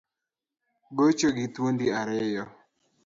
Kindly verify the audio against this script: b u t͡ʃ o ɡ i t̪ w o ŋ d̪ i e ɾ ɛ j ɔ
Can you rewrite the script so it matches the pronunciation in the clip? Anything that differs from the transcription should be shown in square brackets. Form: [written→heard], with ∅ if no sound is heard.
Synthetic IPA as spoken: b [u→o] t͡ʃ o ɡ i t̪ w o [ŋ→n] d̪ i [e→a] ɾ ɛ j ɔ

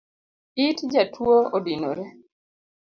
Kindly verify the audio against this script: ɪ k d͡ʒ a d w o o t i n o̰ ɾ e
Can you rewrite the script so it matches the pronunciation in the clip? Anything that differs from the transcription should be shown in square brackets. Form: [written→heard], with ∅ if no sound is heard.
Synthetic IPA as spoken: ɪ [k→t] d͡ʒ a [d→t] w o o [t→d] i n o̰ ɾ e

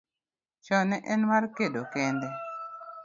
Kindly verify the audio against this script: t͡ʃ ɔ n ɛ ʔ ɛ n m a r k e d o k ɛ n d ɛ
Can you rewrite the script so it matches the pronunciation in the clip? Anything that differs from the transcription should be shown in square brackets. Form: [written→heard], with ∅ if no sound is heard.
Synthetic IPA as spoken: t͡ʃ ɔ n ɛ ʔ ɛ n m a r k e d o k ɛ n d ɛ

